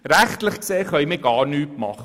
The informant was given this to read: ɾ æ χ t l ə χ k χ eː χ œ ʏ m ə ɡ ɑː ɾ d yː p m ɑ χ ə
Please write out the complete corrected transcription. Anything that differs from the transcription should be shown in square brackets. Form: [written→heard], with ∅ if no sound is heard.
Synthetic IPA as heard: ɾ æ χ t l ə χ k [χ→s] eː χ œ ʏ m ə ɡ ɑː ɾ [d→n] yː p m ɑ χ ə